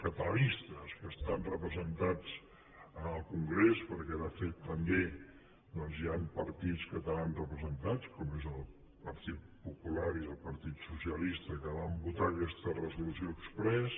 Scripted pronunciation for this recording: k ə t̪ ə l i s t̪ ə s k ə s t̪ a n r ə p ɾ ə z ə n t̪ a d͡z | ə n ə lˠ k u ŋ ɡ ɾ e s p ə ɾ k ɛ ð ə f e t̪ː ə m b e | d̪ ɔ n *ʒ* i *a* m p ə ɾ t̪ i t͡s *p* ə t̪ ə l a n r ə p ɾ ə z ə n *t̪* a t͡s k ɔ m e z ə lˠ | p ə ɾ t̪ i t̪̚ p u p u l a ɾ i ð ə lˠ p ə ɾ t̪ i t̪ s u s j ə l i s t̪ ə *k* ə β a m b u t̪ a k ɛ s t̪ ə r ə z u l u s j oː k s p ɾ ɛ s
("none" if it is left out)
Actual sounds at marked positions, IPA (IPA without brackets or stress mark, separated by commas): z, a, k, t̪, k